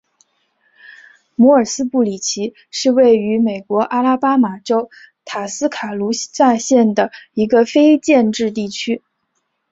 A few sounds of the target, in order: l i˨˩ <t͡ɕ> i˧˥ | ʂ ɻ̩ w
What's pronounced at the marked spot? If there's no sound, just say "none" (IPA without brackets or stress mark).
t͡ɕʰ